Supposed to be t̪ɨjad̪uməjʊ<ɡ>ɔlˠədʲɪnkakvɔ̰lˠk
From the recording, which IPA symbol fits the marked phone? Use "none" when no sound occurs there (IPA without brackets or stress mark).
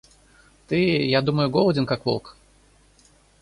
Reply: ɡ